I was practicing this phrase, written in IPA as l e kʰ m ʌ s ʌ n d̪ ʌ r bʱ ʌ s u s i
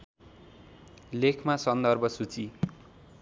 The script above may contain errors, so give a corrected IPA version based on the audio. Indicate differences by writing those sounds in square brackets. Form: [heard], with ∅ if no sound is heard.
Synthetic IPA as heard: l e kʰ m [a] s ʌ n d̪ ʌ r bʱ ʌ s u [t͡s] i